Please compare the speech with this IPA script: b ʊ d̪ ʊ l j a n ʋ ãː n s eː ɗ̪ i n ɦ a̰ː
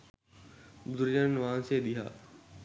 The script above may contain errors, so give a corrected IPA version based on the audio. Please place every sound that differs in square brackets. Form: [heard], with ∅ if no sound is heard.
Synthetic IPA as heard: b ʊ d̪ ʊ [ɾ] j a n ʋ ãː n s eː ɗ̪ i [∅] ɦ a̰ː

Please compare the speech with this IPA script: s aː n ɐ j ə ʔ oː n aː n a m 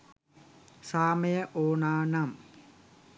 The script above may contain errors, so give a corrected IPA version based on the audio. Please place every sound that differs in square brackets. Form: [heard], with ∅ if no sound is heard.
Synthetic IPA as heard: s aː [m] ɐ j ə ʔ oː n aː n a m

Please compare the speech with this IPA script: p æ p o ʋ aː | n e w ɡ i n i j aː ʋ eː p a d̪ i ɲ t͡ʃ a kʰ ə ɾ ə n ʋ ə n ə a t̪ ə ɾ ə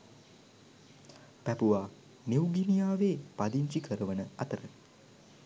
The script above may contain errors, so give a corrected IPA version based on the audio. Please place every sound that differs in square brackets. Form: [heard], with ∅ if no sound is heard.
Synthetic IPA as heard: p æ p [u] ʋ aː | n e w ɡ i n i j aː ʋ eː p a d̪ i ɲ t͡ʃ [i] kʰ ə ɾ ə [∅] ʋ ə n ə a t̪ ə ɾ ə

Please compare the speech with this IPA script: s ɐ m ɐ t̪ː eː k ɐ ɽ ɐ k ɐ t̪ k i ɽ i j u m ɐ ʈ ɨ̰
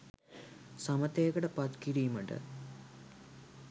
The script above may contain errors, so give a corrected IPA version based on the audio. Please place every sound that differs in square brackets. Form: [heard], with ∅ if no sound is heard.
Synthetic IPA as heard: s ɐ m ɐ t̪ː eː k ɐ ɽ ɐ [p] ɐ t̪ k i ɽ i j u m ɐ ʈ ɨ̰

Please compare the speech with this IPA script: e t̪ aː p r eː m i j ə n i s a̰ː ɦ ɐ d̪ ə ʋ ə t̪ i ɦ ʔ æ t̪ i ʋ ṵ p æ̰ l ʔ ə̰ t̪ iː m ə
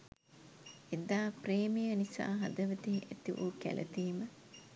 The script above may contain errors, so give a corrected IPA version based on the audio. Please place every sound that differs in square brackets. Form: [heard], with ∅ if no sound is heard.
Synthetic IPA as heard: e [d̪] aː p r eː m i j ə n i s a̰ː ɦ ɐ d̪ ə ʋ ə t̪ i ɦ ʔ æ t̪ i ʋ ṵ [k] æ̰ l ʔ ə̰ t̪ iː m ə

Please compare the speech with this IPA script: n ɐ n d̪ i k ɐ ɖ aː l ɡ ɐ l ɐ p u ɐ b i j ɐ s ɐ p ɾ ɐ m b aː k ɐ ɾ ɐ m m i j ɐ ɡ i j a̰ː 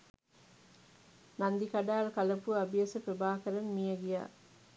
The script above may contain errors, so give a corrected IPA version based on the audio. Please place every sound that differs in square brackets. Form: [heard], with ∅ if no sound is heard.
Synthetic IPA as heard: n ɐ n d̪ i k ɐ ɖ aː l [k] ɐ l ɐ p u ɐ b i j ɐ s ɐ p ɾ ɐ [∅] b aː k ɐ ɾ ɐ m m i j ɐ ɡ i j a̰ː

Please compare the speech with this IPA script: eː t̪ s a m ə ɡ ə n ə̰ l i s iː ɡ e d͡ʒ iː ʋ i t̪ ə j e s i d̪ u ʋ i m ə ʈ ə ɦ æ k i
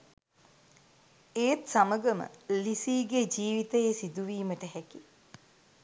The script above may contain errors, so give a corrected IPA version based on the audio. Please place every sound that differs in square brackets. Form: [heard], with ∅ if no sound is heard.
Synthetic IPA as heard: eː t̪ s a m ə ɡ ə [m] ə̰ l i s iː ɡ e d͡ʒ iː ʋ i t̪ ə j e s i d̪ u ʋ [iː] m ə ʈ ə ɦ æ k i

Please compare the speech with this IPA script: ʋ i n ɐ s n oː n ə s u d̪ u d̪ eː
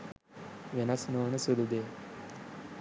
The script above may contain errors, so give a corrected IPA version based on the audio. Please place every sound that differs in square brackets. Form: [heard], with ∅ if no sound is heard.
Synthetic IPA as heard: ʋ [e] n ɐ s n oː n ə s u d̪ u d̪ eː

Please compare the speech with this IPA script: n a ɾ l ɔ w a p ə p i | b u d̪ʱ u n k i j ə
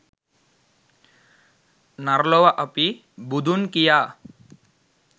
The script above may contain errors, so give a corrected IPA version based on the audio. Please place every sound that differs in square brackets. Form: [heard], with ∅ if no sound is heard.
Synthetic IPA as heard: n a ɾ l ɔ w a [ʔ] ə p i | b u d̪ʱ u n k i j [a]

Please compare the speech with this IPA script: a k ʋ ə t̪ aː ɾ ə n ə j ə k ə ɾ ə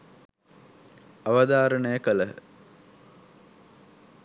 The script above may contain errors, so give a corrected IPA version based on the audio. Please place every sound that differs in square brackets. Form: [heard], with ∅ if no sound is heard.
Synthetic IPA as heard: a [∅] ʋ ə [d̪] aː ɾ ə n ə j ə k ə [l] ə

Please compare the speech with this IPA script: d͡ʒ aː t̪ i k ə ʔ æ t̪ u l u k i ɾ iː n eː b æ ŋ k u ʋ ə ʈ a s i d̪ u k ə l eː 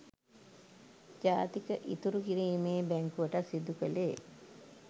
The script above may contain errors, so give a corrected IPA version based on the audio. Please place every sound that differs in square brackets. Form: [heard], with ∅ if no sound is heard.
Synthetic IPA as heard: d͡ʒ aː t̪ i k ə ʔ [i] t̪ u [ɾ] u k i ɾ iː [m] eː b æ ŋ k u ʋ ə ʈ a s i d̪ u k ə l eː

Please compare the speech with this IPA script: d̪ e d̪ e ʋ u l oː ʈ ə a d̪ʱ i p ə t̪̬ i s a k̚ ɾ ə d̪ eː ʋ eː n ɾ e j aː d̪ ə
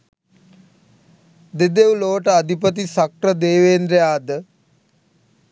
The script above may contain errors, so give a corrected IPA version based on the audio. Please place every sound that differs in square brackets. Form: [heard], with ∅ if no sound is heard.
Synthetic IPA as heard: d̪ e d̪ e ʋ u l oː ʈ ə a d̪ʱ i p ə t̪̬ i s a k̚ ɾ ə d̪ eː ʋ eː n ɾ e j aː d̪ ə

